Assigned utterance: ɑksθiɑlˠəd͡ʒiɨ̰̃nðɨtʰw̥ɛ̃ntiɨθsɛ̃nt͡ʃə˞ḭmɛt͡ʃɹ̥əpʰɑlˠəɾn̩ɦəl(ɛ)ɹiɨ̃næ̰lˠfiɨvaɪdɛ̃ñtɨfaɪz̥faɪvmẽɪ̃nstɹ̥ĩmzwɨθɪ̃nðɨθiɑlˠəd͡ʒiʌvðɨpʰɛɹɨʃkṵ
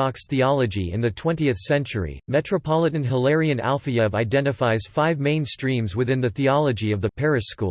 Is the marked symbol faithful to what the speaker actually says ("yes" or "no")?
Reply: yes